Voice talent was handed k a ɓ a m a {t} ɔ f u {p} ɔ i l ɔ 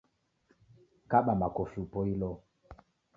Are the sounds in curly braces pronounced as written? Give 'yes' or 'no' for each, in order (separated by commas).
no, yes